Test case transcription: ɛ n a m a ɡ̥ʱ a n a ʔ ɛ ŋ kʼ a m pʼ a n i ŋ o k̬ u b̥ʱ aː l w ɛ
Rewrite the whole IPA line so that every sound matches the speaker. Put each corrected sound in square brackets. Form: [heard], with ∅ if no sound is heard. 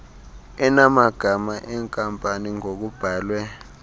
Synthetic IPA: ɛ n a m a ɡ̥ʱ a [m] a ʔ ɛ ŋ kʼ a m pʼ a n i ŋ o k̬ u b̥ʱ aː l w ɛ

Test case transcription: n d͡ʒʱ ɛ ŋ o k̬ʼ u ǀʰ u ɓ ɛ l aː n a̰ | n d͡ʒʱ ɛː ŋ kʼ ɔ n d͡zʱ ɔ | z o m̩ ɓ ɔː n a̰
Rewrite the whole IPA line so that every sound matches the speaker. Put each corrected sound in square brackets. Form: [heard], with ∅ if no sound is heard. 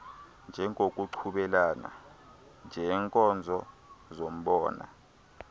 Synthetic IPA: n d͡ʒʱ ɛ ŋ o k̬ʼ u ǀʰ u ɓ ɛ l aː n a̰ | n d͡ʒʱ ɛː ŋ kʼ ɔ n d͡zʱ ɔ | z o m̩ ɓ ɔː n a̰

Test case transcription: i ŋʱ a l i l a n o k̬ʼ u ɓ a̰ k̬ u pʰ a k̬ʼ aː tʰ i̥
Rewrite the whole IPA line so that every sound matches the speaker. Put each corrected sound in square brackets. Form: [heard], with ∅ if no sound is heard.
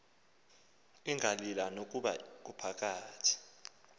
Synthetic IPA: i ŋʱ a l i l a n o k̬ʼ u ɓ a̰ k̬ u pʰ a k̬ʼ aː tʰ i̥

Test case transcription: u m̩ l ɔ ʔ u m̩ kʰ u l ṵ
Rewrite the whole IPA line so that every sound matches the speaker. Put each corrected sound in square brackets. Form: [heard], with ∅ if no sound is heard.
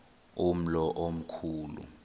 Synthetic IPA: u m̩ l ɔ ʔ [o] m̩ kʰ [uː] l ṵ

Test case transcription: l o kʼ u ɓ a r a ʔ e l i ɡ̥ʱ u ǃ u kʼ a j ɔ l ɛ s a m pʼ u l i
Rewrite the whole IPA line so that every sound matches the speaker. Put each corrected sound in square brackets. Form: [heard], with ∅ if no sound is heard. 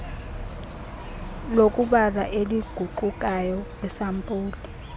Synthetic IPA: l o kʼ u ɓ a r a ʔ e l i ɡ̥ʱ u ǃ u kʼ a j ɔ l ɛ s a m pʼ [uː] l i

